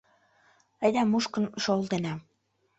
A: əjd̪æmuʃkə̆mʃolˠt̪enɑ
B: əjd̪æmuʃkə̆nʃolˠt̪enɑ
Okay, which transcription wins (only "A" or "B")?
B